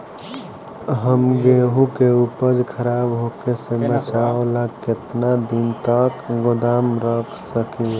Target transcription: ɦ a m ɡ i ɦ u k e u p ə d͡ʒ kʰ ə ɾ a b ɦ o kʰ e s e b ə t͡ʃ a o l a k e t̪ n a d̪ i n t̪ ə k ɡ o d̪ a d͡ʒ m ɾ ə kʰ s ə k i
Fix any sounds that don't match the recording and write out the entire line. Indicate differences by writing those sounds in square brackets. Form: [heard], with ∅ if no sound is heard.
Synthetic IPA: ɦ [ə] m ɡ [e] ɦ u k e u p ə d͡ʒ kʰ ə ɾ a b ɦ o [k] e s e b ə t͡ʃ a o l a k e t̪ n a d̪ i n t̪ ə k ɡ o d̪ a [∅] m ɾ ə kʰ s ə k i